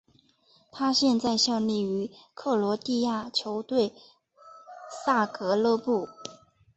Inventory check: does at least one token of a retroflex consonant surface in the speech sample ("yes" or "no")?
no